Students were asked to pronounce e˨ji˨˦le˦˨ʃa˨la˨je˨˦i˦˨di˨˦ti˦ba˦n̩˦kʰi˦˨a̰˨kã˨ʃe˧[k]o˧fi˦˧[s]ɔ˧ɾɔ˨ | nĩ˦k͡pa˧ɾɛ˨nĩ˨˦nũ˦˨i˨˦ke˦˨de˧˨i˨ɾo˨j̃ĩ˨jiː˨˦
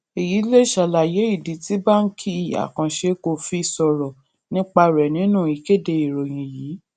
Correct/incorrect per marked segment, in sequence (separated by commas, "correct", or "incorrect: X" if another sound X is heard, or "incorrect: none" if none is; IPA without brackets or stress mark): correct, correct